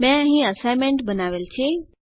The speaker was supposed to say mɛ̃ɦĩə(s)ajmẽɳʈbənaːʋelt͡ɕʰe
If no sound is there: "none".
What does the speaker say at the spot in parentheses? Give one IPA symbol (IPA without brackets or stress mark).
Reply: s